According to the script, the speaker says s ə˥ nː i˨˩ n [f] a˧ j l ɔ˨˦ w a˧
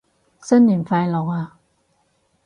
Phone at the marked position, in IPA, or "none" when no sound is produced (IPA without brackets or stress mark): f